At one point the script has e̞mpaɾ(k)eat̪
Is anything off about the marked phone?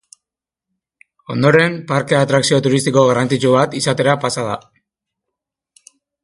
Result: no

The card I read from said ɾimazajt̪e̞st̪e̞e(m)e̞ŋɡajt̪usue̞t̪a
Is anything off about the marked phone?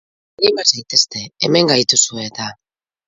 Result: no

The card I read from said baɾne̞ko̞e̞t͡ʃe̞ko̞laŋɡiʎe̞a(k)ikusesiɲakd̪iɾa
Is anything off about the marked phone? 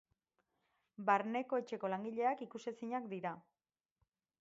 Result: no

